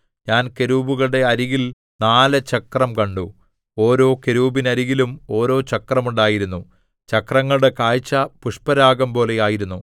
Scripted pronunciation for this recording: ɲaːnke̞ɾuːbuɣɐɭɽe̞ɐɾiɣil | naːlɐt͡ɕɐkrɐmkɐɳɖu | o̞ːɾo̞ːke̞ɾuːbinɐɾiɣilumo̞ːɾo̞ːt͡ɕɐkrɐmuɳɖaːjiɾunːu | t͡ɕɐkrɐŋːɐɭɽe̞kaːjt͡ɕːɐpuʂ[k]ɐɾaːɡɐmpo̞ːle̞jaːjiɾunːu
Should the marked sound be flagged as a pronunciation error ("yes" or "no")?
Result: yes